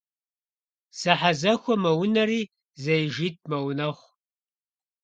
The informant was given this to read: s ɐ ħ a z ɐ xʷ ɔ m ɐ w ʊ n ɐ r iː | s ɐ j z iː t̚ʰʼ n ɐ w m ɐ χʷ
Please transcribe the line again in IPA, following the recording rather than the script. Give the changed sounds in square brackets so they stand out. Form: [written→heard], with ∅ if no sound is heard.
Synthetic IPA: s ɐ ħ a z ɐ xʷ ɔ m ɐ w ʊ n ɐ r iː | [s→z] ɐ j [z→ʒ] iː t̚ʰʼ [n→m] ɐ w [m→n] ɐ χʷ